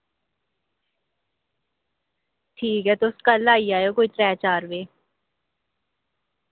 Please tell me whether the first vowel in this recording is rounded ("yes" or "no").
no